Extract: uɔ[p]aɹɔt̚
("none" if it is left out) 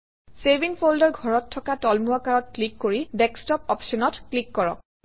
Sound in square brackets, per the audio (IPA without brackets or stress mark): k